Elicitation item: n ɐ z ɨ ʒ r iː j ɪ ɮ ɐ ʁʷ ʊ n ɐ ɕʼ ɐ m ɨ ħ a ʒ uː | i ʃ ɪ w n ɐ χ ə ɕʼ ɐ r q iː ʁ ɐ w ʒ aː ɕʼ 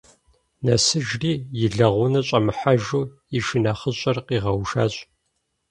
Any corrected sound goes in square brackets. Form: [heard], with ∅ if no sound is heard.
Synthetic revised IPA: n ɐ [s] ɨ ʒ r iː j ɪ ɮ ɐ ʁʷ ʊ n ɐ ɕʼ ɐ m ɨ ħ a ʒ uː | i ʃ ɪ [∅] n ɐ χ ə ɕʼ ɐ r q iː ʁ ɐ w [ʃ] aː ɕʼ